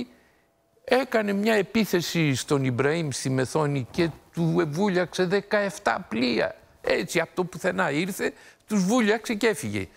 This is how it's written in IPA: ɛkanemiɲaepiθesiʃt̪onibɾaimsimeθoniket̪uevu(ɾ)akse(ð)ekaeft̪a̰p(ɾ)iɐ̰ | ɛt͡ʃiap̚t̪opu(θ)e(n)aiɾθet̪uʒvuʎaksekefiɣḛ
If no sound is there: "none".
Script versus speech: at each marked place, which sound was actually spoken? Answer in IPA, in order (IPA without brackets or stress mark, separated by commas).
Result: ʎ, ð, l, θ, n